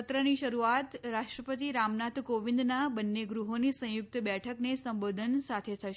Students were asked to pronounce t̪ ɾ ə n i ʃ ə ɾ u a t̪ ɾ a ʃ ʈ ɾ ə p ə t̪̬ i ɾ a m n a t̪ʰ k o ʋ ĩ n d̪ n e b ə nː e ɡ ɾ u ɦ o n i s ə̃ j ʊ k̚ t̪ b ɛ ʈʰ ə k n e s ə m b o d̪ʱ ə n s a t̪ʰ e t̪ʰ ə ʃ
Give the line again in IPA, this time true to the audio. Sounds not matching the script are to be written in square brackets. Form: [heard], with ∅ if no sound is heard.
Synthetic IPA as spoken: t̪ ɾ ə n i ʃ ə ɾ u a t̪ ɾ a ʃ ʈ ɾ ə p ə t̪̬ i ɾ a m n a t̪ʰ k o ʋ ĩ n d̪ n [a] b ə nː e ɡ ɾ u ɦ o n i s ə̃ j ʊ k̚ t̪ b ɛ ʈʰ ə k n e s ə m b o d̪ʱ ə n s a t̪ʰ e t̪ʰ ə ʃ